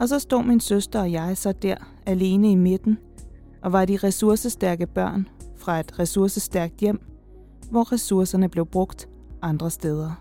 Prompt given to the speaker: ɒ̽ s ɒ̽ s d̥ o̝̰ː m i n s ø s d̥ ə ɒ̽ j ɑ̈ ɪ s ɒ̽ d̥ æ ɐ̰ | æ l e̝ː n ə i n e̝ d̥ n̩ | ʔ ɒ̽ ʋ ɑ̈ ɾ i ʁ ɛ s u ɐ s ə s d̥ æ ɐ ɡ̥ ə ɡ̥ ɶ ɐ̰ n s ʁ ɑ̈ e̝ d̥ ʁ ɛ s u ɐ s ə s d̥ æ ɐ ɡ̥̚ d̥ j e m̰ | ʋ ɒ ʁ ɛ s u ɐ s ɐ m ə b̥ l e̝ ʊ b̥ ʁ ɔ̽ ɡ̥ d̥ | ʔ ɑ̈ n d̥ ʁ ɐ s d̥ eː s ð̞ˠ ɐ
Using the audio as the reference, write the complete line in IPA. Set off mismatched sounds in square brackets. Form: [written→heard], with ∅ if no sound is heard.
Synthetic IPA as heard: ɒ̽ s ɒ̽ s d̥ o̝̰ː m i n s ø s d̥ [ə→ɐ] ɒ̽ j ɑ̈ ɪ s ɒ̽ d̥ æ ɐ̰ | æ l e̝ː n ə i [n→m] e̝ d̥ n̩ | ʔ ɒ̽ ʋ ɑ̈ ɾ i ʁ ɛ s u ɐ s ə s d̥ æ ɐ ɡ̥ ə [ɡ̥→b̥] ɶ ɐ̰ n [s→f] ʁ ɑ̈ e̝ d̥ ʁ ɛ s u ɐ s ə s d̥ æ ɐ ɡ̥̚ d̥ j e m̰ | ʋ ɒ ʁ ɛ s u ɐ s ɐ [m→n] ə b̥ l e̝ ʊ b̥ ʁ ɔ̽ ɡ̥ d̥ | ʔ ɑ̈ n d̥ ʁ ɐ s d̥ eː [s→∅] ð̞ˠ ɐ